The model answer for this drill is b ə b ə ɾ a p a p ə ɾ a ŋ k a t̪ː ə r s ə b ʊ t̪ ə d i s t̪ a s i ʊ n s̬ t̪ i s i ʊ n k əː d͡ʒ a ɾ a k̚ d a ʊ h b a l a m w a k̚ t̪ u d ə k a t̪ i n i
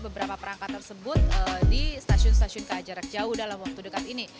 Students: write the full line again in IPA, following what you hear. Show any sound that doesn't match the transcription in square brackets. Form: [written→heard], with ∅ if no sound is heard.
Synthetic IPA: b ə b ə ɾ a p a p ə ɾ a ŋ k a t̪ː ə r s ə b ʊ t̪ ə d i s t̪ a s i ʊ n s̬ t̪ [i→a] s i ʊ n k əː d͡ʒ a ɾ a k̚ [d→d͡ʒ] a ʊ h [b→d] a l a m w a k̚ t̪ u d ə k a t̪ i n i